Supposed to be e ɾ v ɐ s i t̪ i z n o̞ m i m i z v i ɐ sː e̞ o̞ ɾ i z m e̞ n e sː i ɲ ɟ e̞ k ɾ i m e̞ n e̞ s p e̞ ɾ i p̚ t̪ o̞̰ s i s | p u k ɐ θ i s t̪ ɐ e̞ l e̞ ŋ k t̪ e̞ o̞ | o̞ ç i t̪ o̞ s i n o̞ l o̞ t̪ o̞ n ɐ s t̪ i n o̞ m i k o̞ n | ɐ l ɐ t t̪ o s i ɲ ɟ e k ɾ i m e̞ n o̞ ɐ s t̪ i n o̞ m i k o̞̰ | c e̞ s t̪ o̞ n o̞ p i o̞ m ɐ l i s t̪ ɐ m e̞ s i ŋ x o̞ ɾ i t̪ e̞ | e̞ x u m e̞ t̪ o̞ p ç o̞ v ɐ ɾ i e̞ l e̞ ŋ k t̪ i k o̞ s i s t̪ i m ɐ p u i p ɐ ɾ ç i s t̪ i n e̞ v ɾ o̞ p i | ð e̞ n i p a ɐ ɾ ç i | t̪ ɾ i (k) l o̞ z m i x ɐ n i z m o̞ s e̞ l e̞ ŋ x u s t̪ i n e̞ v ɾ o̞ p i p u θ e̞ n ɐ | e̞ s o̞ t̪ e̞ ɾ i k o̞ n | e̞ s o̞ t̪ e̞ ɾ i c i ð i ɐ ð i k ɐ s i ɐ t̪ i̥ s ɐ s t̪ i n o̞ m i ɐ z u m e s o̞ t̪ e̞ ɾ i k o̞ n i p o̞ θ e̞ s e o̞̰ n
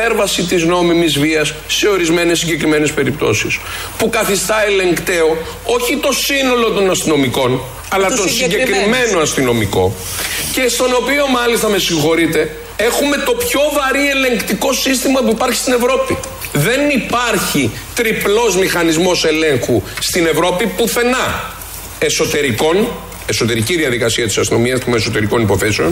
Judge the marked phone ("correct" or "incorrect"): incorrect